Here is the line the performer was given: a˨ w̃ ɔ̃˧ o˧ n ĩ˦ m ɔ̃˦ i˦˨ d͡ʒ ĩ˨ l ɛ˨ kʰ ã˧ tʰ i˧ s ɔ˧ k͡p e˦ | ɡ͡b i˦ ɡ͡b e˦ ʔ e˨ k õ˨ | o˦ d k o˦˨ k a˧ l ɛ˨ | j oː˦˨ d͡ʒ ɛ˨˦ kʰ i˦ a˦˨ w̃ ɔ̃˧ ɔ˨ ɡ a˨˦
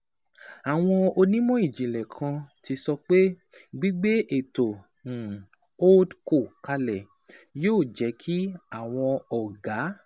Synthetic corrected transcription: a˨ w̃ ɔ̃˧ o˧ n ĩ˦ m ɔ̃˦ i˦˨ d͡ʒ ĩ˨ l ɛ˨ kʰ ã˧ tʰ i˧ s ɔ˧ k͡p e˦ | ɡ͡b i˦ ɡ͡b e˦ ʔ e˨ t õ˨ | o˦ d k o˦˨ k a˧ l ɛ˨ | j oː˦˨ d͡ʒ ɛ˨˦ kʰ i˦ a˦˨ w̃ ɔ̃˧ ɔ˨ ɡ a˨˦